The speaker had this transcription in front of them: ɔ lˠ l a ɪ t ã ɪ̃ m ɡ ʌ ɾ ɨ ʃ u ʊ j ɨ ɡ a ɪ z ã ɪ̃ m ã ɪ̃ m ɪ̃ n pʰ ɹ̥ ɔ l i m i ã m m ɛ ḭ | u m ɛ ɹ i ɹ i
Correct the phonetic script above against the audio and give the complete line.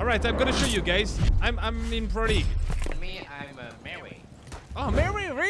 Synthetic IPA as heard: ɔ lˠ ɹ a ɪ t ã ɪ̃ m ɡ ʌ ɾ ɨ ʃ o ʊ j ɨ ɡ a ɪ z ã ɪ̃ m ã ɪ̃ m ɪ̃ n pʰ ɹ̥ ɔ ɾ i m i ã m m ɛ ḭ | o m ɛ ɹ i ɹ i